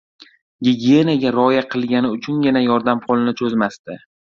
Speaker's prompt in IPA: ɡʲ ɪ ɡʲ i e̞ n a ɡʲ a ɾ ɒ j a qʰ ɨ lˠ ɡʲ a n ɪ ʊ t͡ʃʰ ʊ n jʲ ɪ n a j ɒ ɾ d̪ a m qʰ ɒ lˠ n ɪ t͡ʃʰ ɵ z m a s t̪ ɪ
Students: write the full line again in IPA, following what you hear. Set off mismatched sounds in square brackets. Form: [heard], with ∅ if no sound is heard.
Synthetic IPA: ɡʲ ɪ ɡʲ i e̞ n a ɡʲ a ɾ ɒ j a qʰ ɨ lˠ ɡʲ a n ɪ ʊ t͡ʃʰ ʊ n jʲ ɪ n a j ɒ ɾ d̪ a m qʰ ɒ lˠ n ɪ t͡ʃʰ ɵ z m a s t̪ ɪ